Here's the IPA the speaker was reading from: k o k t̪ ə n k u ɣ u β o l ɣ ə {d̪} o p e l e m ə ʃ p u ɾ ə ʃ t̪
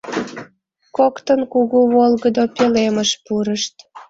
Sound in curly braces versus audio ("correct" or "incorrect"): correct